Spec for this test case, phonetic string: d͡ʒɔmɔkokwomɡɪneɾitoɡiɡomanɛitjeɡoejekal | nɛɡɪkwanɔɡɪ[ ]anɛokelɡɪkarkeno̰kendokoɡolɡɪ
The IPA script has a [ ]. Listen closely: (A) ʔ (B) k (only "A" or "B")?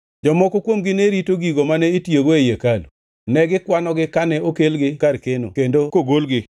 B